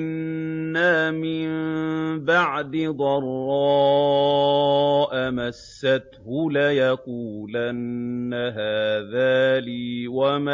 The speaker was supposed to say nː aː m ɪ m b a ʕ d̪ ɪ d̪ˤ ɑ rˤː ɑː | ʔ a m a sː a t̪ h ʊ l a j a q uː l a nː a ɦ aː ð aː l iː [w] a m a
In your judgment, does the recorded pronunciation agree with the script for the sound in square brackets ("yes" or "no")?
yes